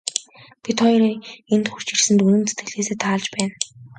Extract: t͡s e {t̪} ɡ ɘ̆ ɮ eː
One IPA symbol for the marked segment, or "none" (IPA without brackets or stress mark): t̪